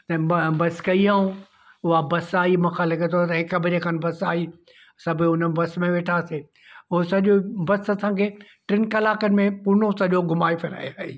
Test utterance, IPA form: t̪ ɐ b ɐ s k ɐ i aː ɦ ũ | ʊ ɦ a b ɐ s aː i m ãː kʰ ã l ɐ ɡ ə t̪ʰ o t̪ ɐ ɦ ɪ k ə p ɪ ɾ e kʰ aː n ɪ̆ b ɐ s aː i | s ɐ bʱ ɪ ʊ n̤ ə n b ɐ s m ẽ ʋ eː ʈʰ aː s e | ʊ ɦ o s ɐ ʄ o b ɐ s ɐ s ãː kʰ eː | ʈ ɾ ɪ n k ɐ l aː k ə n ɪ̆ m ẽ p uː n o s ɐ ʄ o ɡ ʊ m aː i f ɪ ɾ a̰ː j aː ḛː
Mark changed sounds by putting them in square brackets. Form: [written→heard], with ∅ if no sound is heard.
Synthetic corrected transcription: t̪ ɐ b ɐ s k ɐ i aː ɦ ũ | ʊ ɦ a b ɐ s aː i m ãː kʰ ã l ɐ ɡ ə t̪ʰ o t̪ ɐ ɦ ɪ k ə [p→b] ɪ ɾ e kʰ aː n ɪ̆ b ɐ s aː i | s ɐ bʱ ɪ ʊ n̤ ə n b ɐ s m ẽ ʋ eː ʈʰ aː s e | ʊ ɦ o s ɐ ʄ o b ɐ s ɐ s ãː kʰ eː | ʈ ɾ ɪ n k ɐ l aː k ə n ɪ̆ m ẽ p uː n o s ɐ ʄ o ɡ ʊ m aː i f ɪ ɾ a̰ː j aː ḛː